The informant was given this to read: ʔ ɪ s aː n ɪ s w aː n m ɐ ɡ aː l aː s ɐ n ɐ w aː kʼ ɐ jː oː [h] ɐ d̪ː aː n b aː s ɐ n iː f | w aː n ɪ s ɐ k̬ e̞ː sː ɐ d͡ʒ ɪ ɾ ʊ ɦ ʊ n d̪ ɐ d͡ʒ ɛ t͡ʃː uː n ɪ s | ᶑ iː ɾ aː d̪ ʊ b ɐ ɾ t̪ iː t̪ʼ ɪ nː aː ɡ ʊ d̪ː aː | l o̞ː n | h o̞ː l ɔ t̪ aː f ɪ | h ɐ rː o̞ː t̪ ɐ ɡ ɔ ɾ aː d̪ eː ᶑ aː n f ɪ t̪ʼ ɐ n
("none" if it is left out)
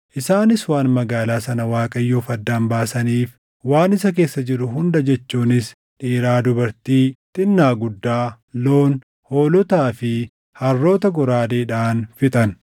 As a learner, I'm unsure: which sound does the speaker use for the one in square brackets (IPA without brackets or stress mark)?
f